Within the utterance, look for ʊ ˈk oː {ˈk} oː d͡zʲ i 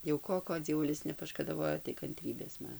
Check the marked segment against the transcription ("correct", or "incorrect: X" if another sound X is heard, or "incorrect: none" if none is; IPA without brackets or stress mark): correct